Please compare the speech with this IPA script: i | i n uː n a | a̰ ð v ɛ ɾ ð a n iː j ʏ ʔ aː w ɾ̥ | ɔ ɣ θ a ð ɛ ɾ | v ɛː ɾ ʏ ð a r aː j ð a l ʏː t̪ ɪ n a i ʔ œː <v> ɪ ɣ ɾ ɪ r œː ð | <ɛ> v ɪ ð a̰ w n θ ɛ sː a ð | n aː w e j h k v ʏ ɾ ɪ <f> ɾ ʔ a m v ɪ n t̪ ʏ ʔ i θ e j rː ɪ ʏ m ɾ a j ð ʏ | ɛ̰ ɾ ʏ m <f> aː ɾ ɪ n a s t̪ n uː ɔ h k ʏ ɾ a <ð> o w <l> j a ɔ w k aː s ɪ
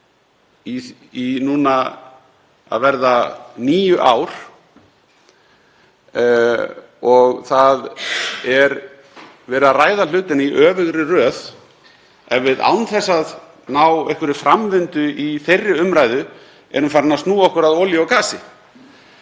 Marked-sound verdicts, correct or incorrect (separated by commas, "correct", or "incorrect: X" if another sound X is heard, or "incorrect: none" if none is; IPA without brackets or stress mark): correct, correct, correct, correct, correct, correct